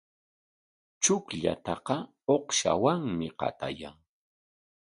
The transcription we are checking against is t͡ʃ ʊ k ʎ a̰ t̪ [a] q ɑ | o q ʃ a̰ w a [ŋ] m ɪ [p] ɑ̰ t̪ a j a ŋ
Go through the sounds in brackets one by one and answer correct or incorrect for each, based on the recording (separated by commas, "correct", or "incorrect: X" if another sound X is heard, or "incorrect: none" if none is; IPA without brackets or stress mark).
incorrect: ɑ, correct, incorrect: q